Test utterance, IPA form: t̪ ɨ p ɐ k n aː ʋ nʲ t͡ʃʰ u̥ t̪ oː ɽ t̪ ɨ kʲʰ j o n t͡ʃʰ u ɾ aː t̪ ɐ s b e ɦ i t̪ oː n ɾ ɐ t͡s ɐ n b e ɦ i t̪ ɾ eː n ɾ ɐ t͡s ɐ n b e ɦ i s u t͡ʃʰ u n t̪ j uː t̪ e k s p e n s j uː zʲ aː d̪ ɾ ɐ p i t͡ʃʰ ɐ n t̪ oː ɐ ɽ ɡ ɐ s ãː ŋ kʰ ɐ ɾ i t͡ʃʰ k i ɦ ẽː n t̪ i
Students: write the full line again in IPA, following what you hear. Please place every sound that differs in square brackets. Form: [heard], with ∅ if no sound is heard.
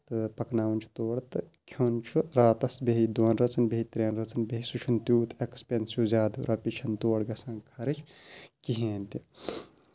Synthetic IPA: t̪ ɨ p ɐ k n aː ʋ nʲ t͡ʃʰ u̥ t̪ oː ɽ t̪ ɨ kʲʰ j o n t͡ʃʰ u ɾ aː t̪ ɐ s b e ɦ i [d̪] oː n ɾ ɐ t͡s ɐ n b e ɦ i t̪ ɾ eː n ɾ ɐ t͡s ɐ n b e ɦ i s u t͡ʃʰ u n t̪ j uː t̪ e k s p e n s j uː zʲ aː d̪ ɾ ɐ p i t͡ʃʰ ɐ n t̪ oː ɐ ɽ ɡ ɐ s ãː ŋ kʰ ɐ ɾ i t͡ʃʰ k i ɦ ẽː n t̪ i